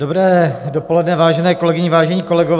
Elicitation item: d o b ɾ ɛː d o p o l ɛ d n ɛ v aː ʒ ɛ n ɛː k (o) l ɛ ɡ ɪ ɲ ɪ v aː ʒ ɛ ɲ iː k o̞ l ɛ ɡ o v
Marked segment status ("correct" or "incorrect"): correct